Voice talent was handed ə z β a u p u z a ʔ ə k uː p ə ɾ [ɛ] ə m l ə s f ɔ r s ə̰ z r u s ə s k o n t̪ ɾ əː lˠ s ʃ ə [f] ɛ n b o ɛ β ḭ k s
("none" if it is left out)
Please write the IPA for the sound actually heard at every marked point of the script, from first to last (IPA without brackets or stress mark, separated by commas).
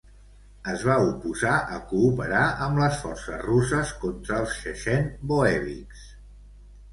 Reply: a, ʃ